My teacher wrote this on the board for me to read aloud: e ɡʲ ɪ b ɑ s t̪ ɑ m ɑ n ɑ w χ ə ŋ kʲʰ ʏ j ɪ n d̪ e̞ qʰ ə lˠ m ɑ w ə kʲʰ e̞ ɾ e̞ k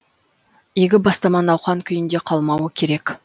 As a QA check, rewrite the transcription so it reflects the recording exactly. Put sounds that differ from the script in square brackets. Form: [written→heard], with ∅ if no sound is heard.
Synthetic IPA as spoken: e ɡʲ ɪ b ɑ s t̪ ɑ m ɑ n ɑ w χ [ə→ɑ] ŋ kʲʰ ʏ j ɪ n d̪ e̞ qʰ [ə→ɑ] lˠ m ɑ w ə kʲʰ e̞ ɾ e̞ k

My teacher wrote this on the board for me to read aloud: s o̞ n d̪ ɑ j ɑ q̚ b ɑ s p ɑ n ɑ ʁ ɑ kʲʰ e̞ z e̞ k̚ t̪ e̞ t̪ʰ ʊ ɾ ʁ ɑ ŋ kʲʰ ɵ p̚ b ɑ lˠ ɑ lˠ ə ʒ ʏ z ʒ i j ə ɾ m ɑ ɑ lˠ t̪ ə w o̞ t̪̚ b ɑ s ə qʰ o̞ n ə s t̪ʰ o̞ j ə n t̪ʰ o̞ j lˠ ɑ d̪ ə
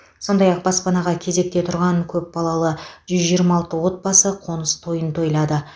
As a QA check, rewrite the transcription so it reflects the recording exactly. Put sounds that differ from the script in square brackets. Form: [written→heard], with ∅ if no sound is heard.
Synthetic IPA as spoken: s o̞ n d̪ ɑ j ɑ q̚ b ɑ s p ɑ n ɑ ʁ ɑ kʲʰ e̞ z e̞ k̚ t̪ e̞ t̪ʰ ʊ ɾ ʁ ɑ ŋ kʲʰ ɵ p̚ b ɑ lˠ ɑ lˠ ə ʒ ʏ z ʒ i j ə ɾ m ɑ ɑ lˠ t̪ ə w o̞ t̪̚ b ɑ s ə qʰ o̞ n ə s t̪ʰ o̞ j ə n t̪ʰ o̞ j lˠ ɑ d̪ ə

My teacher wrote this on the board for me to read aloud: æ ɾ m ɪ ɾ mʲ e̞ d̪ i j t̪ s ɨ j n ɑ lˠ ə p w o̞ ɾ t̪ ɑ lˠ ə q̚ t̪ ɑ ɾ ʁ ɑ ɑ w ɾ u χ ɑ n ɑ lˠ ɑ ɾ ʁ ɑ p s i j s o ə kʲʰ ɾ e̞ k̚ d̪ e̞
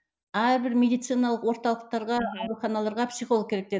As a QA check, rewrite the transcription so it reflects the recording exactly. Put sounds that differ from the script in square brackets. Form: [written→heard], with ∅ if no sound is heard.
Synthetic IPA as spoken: æ ɾ [m→b] ɪ ɾ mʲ e̞ d̪ i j t̪ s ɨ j n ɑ lˠ ə [p→q] w o̞ ɾ t̪ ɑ lˠ ə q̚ t̪ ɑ ɾ ʁ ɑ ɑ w ɾ u χ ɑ n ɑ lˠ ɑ ɾ ʁ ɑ p s i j [s→χ] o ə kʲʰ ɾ e̞ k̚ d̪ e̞

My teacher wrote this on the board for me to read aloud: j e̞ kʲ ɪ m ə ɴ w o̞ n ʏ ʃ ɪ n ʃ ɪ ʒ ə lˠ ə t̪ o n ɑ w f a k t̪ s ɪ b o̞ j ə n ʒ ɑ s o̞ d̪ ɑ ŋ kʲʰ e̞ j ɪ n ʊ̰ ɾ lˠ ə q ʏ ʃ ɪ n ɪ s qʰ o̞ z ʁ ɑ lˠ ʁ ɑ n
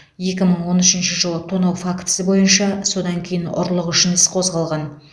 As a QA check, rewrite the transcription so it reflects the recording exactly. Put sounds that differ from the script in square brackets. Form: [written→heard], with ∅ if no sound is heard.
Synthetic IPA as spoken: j e̞ kʲ ɪ m ə ɴ w o̞ n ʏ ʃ ɪ n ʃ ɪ ʒ ə lˠ ə [t̪→t̪ʰ] o n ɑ w f a k t̪ s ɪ b o̞ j ə n [ʒ→ʃ] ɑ s o̞ d̪ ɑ ŋ kʲʰ e̞ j ɪ n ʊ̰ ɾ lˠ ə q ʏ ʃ ɪ n ɪ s qʰ o̞ z ʁ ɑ lˠ ʁ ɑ n

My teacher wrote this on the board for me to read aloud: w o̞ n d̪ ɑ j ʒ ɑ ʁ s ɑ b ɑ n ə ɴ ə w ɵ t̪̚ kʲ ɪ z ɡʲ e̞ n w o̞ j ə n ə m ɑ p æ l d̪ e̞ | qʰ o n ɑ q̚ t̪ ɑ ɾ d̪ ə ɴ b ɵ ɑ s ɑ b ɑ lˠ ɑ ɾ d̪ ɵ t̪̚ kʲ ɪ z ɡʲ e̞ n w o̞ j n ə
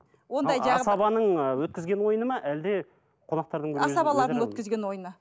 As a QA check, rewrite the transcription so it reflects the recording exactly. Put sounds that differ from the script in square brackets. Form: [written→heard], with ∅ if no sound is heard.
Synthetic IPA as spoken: w o̞ n d̪ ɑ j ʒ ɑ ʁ s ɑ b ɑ n ə ɴ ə w ɵ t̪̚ kʲ ɪ z ɡʲ e̞ n w o̞ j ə n ə m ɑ [p→ʔ] æ l d̪ e̞ | qʰ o n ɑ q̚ t̪ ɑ ɾ d̪ ə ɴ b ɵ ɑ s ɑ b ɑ lˠ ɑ ɾ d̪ ɵ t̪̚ kʲ ɪ z ɡʲ e̞ n w o̞ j n ə

